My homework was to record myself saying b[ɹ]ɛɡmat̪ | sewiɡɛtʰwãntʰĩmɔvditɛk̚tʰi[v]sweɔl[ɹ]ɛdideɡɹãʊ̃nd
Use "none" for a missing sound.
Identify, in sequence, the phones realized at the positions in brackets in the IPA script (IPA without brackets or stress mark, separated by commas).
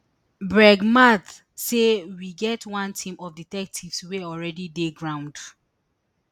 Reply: ɹ, v, ɹ